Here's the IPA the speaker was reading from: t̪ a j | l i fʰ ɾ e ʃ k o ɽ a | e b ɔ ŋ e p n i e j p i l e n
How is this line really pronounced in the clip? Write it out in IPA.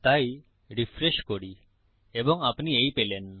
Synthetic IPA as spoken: t̪ a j | ɾ i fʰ ɾ e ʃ k o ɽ i | e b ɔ ŋ a p n i e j p e l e n